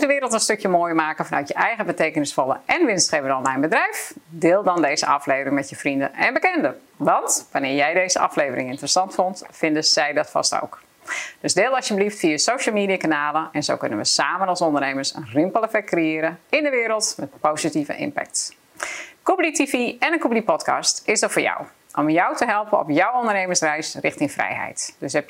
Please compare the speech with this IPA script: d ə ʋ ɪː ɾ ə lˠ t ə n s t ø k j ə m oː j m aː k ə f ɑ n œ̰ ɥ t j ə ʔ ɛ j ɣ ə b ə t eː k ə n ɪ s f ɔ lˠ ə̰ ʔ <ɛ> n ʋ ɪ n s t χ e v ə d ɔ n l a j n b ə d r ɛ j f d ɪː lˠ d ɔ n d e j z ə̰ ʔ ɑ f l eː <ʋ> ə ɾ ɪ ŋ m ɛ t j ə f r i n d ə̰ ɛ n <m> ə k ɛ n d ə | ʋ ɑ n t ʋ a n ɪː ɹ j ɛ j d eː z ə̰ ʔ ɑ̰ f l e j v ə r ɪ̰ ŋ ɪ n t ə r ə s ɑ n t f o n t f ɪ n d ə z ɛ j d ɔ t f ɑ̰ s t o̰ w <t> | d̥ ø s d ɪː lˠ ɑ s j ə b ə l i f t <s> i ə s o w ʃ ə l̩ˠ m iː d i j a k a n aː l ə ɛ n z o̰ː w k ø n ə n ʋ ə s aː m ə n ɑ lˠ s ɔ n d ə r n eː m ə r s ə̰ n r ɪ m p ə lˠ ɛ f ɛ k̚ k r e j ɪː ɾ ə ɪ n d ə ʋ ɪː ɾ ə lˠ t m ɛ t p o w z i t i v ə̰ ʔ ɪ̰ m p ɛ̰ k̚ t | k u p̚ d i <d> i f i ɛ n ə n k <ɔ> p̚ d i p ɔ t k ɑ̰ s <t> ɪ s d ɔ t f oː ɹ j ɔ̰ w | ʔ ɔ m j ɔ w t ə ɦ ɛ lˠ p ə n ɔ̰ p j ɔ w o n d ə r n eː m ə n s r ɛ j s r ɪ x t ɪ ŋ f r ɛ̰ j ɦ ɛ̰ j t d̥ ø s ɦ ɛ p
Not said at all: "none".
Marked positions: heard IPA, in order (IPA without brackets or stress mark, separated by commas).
ɛ, v, b, k, f, t, u, t